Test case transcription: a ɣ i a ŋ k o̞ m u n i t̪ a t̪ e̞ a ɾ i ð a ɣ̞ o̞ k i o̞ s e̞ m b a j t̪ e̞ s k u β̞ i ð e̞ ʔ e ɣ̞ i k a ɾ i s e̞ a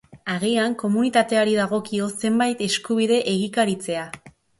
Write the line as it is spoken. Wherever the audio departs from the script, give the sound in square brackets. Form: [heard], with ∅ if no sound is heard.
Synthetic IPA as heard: a ɣ i a ŋ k o̞ m u n i t̪ a t̪ e̞ a ɾ i ð a ɣ̞ o̞ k i o̞ s e̞ m b a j t̪ e̞ s k u β̞ i ð e̞ ʔ e ɣ̞ i k a ɾ i [t͡s] e̞ a